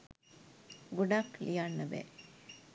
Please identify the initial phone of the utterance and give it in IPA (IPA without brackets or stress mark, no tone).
ɡ